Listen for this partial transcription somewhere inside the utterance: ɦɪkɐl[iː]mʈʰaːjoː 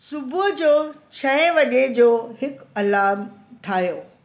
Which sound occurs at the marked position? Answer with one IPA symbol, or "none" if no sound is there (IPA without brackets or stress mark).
aː